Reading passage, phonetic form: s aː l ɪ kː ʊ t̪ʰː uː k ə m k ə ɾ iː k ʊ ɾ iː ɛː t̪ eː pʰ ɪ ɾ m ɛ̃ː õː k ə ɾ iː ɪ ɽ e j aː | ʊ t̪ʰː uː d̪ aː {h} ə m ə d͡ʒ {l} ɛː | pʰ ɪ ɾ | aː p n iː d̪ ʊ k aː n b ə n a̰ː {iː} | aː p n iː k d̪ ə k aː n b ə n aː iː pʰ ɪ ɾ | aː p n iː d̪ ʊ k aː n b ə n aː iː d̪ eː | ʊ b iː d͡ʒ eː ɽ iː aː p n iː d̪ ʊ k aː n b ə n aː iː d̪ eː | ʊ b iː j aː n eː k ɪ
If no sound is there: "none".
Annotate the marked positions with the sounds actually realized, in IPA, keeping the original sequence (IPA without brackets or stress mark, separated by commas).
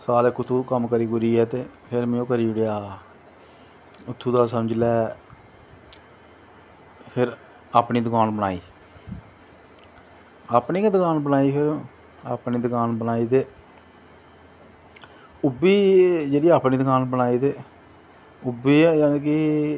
s, l, iː